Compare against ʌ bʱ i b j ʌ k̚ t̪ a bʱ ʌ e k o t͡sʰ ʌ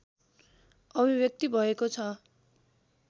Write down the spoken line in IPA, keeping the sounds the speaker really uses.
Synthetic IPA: ʌ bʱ i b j ʌ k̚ t̪ i bʱ ʌ e k o t͡sʰ ʌ